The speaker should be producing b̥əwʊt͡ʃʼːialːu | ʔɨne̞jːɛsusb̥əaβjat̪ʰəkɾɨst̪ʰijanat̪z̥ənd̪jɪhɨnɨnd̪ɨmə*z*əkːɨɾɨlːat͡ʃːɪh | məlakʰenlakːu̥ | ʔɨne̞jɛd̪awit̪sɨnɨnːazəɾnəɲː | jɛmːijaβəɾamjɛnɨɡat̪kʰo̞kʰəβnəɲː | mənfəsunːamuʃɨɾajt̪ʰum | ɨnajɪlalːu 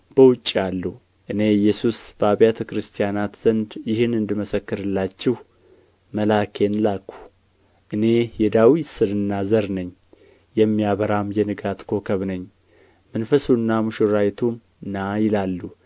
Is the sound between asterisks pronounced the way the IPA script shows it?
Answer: no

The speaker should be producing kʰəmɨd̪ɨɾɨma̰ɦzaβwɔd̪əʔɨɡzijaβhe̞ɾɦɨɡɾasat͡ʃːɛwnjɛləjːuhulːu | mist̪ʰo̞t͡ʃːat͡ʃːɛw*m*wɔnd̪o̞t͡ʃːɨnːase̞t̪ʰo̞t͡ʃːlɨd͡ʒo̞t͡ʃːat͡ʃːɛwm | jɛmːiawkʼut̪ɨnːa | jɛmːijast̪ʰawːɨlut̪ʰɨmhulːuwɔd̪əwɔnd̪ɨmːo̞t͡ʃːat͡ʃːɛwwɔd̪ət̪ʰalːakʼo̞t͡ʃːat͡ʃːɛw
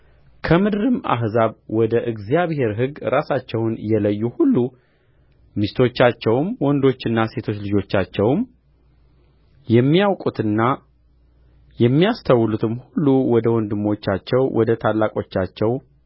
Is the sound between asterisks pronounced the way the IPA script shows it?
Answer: yes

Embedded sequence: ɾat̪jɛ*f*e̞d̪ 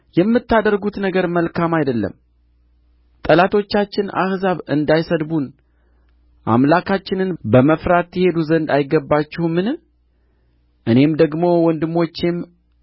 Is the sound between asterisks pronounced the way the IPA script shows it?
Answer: no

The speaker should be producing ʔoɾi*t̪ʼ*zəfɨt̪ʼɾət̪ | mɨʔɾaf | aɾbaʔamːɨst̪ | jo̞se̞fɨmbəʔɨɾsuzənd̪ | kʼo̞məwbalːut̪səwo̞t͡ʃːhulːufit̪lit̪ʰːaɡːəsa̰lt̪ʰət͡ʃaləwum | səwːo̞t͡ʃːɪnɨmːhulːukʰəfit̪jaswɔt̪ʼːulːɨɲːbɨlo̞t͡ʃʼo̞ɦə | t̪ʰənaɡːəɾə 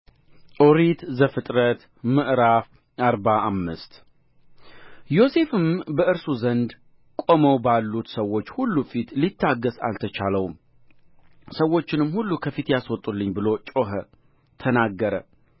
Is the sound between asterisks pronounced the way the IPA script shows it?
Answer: no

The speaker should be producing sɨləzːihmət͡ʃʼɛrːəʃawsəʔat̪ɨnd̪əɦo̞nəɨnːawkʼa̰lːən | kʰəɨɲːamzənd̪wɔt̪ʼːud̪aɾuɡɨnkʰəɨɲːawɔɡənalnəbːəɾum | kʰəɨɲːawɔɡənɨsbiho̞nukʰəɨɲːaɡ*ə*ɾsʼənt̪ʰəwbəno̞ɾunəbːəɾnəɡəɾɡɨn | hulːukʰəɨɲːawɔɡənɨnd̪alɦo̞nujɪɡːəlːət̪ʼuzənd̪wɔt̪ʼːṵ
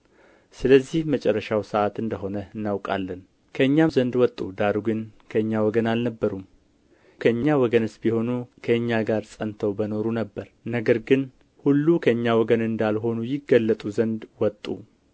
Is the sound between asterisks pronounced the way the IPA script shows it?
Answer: no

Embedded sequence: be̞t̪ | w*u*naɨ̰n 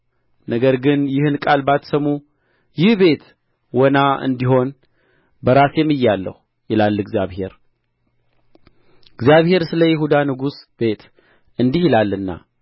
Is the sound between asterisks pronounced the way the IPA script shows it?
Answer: no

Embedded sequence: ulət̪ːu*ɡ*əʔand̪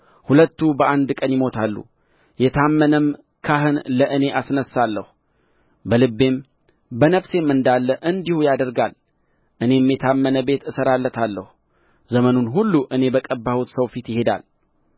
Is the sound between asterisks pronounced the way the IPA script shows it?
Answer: no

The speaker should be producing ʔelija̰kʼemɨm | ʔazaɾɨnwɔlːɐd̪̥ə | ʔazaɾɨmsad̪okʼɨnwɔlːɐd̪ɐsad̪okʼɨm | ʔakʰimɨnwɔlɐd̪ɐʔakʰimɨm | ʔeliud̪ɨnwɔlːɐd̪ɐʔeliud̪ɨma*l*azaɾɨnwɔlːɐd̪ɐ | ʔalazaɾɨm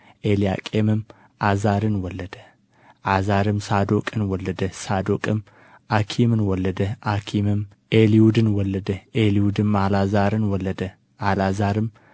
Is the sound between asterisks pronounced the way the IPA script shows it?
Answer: yes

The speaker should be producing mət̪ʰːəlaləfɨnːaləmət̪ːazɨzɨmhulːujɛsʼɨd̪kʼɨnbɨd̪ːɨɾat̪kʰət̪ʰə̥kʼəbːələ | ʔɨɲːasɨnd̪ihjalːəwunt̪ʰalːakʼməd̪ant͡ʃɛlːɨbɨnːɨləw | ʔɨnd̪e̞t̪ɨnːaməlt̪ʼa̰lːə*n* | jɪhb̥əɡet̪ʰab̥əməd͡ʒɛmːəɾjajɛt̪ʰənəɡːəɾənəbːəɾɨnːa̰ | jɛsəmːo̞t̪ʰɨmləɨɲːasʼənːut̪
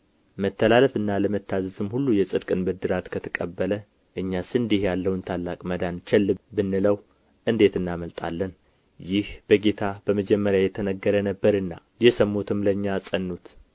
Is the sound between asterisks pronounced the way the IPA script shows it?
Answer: yes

